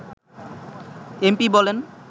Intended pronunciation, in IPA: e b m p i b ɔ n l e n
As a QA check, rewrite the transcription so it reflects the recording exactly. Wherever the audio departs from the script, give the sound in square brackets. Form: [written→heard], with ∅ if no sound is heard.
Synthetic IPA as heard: e [b→∅] m p i b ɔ [n→∅] l e n